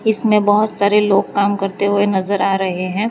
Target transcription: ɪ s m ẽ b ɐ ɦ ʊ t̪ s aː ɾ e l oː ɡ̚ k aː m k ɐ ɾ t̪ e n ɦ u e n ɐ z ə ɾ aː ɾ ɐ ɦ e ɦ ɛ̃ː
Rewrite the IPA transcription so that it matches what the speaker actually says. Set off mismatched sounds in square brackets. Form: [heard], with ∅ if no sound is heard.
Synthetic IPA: ɪ s m ẽ b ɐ ɦ ʊ t̪ s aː ɾ e l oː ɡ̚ k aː m k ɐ ɾ t̪ e [∅] ɦ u e n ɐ z ə ɾ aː ɾ ɐ ɦ e ɦ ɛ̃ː